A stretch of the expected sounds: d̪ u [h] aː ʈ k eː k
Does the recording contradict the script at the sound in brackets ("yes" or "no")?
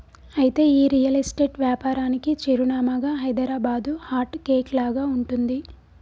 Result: no